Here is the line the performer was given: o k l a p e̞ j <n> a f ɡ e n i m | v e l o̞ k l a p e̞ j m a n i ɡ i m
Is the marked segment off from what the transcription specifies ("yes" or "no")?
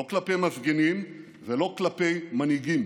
yes